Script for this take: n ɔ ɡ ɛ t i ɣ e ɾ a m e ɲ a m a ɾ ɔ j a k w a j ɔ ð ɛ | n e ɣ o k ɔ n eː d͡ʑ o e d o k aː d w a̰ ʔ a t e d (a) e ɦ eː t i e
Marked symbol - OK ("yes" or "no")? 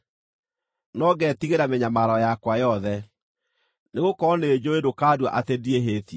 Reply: no